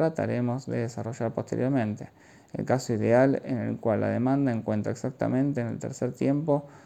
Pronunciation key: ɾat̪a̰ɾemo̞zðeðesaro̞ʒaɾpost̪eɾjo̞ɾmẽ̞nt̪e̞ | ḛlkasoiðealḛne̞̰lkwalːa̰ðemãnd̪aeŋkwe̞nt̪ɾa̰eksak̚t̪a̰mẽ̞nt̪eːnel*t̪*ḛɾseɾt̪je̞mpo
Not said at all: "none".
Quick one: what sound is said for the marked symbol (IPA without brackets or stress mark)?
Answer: t̪